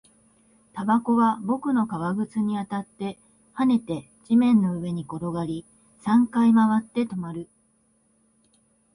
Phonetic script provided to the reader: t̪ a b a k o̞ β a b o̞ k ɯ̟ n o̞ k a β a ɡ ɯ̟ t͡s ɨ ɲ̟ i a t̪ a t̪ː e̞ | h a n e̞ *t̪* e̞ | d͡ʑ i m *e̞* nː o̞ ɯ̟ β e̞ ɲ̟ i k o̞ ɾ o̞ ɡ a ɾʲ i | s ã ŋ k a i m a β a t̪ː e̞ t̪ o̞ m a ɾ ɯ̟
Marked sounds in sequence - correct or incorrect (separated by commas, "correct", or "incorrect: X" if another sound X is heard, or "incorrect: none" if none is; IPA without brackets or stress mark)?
correct, incorrect: ẽ̞